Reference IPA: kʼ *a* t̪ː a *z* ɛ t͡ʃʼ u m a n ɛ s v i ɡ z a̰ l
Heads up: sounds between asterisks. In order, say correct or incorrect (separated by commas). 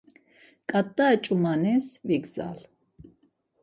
correct, incorrect